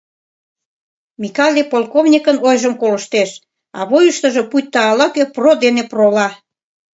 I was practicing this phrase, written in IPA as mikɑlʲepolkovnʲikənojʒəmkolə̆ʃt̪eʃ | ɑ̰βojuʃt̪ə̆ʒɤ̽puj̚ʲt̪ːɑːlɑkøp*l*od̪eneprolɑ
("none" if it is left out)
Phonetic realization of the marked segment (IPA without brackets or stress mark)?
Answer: r